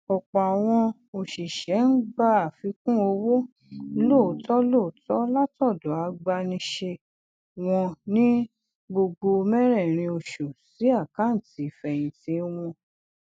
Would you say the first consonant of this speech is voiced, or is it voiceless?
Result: voiceless